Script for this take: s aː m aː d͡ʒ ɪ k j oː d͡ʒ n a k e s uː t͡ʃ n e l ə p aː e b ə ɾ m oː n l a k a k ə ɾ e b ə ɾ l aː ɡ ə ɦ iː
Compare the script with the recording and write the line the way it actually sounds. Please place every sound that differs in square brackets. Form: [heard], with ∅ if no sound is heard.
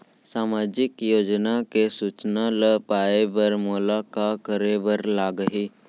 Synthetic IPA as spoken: s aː m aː d͡ʒ ɪ k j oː d͡ʒ n a k e s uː t͡ʃ n [a] l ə p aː e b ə ɾ m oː [∅] l a k a k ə ɾ e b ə ɾ l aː ɡ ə ɦ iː